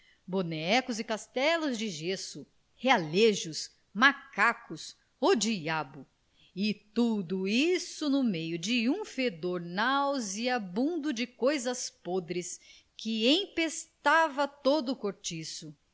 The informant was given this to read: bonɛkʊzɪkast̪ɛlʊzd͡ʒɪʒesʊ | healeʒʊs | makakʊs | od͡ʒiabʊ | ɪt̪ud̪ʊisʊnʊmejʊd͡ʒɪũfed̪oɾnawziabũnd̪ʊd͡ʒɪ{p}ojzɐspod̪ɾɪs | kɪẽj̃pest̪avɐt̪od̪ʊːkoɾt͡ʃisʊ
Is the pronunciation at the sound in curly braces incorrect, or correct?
incorrect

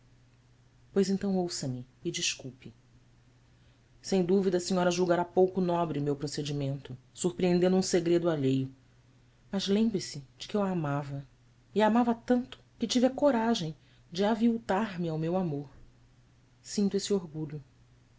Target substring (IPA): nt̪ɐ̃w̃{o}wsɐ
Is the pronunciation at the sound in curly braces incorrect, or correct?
correct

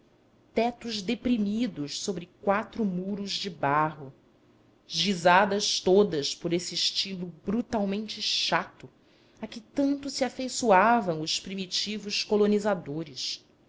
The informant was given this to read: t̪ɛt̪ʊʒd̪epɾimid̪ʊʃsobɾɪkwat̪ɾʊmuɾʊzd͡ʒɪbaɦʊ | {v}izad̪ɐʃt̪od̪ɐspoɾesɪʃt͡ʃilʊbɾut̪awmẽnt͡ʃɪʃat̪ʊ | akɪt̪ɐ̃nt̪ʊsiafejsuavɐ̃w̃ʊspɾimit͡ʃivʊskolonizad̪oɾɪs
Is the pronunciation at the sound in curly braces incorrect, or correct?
incorrect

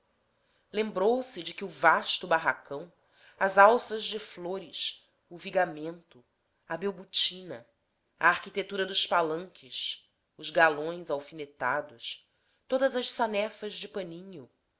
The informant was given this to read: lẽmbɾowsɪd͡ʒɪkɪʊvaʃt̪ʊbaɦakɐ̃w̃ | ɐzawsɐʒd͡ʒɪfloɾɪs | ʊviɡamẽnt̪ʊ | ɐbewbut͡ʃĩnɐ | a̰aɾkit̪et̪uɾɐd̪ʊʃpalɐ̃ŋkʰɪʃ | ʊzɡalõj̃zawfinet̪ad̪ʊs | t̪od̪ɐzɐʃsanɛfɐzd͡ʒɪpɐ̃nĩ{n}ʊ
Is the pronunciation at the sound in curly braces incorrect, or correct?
incorrect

